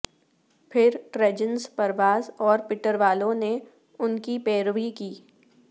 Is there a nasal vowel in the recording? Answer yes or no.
yes